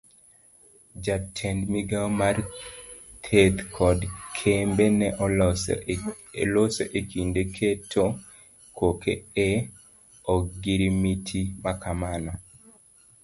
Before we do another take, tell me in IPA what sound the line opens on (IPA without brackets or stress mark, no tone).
d͡ʒ